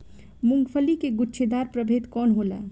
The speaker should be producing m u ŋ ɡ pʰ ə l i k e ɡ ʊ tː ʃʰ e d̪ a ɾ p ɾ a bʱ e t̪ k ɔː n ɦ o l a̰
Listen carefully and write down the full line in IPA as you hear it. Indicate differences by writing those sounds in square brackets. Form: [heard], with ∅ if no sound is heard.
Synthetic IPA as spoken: m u ŋ ɡ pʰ ə l i k e ɡ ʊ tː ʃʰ e d̪ a ɾ p ɾ [ə] bʱ e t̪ k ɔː n ɦ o l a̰